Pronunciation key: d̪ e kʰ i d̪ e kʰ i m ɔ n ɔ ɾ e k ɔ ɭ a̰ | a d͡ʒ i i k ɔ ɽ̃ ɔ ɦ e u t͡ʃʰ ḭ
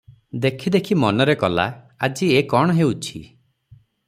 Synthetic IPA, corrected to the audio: d̪ e kʰ i d̪ e kʰ i m ɔ n ɔ ɾ e k ɔ l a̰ | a d͡ʒ i e k ɔ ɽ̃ ɔ ɦ e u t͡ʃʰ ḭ